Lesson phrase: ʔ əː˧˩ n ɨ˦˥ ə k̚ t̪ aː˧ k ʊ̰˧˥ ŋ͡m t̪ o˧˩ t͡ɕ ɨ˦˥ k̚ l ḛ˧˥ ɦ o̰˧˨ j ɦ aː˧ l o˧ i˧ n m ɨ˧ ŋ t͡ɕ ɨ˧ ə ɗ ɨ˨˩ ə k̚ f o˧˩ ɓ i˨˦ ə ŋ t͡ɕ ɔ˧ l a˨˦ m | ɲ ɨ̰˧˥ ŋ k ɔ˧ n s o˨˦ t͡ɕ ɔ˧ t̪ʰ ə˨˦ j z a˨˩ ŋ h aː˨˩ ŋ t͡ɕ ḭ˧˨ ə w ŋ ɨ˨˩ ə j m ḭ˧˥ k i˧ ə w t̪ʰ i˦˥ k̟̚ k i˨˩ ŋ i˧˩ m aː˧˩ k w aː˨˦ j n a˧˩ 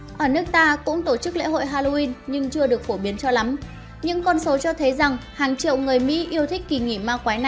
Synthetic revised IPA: ʔ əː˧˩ n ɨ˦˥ ə k̚ t̪ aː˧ k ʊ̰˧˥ ŋ͡m t̪ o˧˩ t͡ɕ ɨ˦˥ k̚ l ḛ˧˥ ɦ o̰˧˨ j ɦ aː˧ l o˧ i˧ n ɲ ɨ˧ ŋ t͡ɕ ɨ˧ ə ɗ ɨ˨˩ ə k̚ f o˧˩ ɓ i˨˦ ə n t͡ɕ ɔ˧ l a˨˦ m | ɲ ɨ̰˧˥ ŋ k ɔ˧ n s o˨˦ t͡ɕ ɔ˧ t̪ʰ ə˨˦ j z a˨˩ ŋ h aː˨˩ ŋ t͡ɕ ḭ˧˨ ə w ŋ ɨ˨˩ ə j m ḭ˧˥ ʔ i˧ ə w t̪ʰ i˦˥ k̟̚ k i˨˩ ŋ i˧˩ m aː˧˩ k w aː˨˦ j n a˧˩